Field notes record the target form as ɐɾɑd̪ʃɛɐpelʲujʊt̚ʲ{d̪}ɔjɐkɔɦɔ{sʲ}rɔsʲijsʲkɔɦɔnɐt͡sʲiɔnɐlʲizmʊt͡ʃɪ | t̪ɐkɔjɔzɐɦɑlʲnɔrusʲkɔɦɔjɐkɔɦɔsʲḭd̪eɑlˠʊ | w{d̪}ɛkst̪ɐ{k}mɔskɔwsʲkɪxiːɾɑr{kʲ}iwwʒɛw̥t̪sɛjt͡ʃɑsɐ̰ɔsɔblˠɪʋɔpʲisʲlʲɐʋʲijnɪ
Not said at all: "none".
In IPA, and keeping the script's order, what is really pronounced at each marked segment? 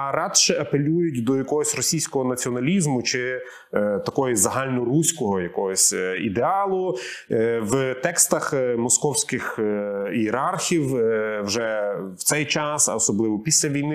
d̪, sʲ, t̪, x, xʲ

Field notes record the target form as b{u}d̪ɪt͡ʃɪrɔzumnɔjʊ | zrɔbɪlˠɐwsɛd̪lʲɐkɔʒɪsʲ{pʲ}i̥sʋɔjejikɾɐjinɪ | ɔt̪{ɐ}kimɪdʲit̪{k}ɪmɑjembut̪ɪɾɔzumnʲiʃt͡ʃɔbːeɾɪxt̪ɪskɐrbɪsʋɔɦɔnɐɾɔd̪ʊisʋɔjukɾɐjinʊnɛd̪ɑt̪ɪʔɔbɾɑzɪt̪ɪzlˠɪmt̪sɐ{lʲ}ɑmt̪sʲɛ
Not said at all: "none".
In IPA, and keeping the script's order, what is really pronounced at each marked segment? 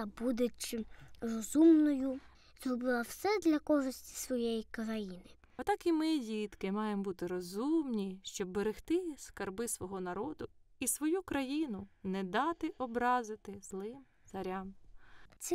u, tʲ, ɑ, k, ɾʲ

